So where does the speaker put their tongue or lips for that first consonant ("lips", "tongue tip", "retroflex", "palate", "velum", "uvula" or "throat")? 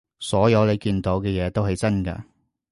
tongue tip